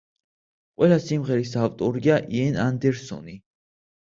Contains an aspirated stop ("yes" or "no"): no